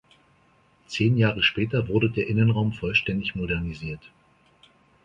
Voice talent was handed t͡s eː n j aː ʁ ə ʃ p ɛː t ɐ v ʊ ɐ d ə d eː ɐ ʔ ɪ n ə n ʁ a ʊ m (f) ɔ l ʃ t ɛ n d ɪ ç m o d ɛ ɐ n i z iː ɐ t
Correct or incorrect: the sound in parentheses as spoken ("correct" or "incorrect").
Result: correct